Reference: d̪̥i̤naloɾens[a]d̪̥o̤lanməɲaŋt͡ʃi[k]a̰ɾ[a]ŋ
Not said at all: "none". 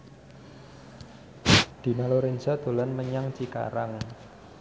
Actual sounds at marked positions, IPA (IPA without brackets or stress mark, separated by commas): a, k, a